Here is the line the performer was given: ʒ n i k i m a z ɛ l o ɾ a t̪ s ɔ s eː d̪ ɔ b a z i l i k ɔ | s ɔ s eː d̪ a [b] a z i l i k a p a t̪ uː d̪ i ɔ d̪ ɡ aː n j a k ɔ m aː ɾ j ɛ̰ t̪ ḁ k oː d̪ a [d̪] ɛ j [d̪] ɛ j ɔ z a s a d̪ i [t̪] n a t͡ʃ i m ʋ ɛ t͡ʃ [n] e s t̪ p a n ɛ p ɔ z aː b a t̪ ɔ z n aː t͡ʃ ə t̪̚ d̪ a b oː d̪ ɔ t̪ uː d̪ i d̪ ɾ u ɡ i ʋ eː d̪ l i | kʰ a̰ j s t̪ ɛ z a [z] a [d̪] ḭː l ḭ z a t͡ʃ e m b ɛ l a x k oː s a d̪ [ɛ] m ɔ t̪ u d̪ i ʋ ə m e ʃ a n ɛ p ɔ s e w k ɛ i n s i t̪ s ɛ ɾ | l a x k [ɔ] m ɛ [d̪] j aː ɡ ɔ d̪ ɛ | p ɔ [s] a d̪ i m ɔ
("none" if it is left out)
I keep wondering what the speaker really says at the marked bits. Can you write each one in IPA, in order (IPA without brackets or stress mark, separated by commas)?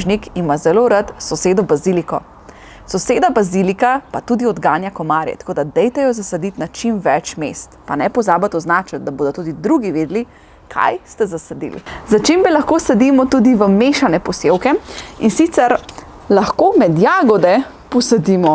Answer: b, d̪, t̪, t̪, m, s, d̪, i, o, d̪, s